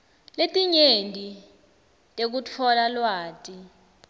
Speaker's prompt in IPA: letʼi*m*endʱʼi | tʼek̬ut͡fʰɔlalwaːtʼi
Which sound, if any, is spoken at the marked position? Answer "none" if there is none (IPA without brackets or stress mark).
ɲ